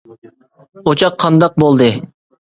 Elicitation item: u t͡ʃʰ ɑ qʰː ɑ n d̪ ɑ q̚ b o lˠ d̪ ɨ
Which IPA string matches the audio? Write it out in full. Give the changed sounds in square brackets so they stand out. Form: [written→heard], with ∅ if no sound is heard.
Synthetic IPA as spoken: [u→o] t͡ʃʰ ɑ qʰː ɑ n d̪ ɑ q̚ b o lˠ d̪ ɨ